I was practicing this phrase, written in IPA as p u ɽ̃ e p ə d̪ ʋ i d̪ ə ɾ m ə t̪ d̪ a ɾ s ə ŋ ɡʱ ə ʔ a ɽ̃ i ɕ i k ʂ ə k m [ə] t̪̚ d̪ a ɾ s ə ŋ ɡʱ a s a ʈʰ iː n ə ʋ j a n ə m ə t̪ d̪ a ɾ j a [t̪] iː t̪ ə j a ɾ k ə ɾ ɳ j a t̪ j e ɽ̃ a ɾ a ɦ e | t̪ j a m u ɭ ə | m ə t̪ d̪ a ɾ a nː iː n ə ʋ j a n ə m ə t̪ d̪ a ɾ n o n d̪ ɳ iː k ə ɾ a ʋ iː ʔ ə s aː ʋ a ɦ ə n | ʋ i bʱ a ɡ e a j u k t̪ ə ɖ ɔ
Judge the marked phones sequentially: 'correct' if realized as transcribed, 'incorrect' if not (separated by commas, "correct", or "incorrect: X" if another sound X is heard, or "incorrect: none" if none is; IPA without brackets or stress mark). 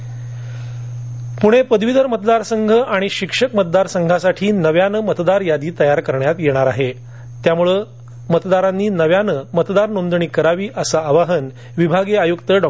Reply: correct, incorrect: d̪